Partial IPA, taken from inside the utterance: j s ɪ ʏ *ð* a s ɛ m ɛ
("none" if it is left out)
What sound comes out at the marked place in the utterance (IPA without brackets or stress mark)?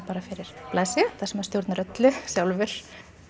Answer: θ